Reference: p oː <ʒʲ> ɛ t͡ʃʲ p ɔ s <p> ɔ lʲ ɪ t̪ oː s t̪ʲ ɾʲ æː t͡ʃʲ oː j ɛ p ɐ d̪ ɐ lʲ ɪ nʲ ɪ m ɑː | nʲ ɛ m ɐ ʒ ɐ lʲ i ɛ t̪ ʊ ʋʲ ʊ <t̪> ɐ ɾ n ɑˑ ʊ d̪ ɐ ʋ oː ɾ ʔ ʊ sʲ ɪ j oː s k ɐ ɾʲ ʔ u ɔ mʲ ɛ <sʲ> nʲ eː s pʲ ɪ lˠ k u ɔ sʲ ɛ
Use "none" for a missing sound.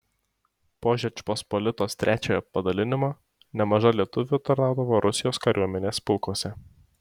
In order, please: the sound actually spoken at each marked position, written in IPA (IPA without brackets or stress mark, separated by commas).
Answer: ʒʲ, p, t̪, none